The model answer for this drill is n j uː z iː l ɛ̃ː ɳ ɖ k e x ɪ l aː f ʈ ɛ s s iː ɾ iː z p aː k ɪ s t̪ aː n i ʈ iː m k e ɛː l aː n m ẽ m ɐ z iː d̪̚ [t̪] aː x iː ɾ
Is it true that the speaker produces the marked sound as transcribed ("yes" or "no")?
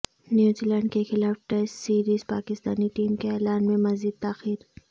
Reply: yes